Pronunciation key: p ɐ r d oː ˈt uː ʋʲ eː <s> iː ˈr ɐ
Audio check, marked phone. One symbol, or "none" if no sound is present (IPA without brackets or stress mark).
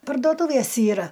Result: s